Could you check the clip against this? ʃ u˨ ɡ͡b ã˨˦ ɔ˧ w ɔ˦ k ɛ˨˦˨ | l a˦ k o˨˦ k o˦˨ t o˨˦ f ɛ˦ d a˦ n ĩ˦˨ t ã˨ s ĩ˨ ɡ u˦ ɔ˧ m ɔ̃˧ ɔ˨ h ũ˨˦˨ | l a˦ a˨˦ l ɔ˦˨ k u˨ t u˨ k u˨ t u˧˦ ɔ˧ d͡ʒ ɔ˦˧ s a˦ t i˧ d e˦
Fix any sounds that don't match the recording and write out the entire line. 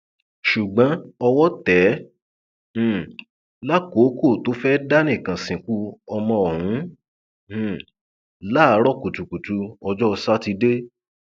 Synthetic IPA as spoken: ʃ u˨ ɡ͡b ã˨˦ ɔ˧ w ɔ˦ t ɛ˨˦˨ | l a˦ k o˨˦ k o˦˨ t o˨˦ f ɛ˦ d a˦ n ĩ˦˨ k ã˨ s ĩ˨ k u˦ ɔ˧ m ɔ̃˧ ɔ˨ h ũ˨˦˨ | l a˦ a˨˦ ɾ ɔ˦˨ k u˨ t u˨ k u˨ t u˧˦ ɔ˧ d͡ʒ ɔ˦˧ s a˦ t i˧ d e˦